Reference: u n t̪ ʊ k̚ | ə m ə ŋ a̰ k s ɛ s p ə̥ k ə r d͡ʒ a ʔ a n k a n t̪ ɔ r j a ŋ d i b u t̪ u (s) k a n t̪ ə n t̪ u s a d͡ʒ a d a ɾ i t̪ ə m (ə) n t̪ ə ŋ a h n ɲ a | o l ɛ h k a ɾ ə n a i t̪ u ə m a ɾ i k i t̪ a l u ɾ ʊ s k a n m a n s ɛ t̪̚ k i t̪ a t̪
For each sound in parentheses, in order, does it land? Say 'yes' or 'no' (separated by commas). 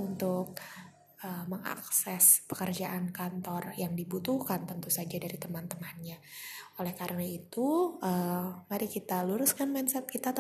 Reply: no, no